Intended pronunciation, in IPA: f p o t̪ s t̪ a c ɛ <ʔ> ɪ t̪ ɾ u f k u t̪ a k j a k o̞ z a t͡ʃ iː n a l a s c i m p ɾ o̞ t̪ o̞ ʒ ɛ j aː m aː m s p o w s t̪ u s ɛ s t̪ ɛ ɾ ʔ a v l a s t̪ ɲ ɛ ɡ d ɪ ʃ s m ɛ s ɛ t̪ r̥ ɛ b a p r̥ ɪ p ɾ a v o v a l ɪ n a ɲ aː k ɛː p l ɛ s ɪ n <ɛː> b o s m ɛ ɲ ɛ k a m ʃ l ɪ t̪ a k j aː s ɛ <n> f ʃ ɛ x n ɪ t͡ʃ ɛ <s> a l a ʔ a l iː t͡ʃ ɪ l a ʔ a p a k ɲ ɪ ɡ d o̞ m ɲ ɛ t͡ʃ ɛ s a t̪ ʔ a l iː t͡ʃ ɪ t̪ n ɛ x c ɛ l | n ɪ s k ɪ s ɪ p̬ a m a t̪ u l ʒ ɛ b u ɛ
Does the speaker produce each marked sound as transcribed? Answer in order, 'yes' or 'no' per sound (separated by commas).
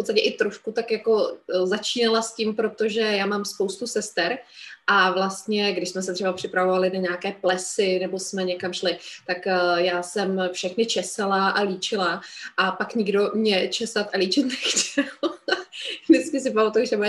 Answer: yes, no, no, yes